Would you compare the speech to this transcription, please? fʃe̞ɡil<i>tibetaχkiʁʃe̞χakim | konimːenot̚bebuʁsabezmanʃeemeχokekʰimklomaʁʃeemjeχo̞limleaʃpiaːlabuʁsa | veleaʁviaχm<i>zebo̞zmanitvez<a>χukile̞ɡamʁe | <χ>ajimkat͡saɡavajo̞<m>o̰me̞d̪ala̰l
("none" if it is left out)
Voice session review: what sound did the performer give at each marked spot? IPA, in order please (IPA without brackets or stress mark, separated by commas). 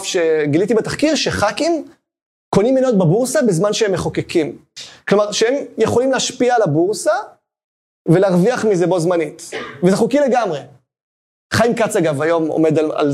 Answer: i, i, e, χ, m